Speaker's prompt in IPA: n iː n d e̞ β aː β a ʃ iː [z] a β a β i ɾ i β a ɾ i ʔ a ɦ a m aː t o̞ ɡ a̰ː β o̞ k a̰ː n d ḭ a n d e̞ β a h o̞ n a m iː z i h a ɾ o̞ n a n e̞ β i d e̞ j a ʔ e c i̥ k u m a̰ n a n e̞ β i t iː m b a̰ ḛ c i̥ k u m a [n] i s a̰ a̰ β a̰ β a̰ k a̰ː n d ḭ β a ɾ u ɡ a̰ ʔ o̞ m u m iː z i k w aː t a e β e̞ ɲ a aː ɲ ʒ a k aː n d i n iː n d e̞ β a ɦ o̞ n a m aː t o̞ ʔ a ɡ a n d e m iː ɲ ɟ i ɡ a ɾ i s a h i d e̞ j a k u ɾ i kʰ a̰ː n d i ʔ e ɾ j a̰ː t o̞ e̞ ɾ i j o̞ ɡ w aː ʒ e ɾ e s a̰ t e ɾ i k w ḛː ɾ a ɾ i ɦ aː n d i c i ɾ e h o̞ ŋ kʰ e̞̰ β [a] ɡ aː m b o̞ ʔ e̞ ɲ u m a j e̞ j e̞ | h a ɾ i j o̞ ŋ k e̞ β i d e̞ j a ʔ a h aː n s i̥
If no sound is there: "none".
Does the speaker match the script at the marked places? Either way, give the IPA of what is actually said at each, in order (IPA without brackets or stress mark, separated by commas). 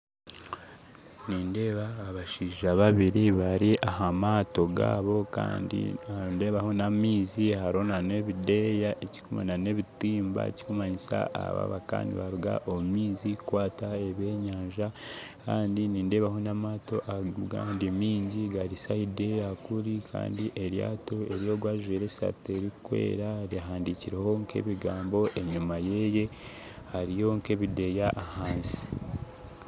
ʒ, ɲ, i